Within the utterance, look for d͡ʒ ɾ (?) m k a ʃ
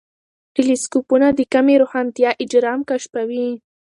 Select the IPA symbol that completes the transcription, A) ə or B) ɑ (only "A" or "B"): B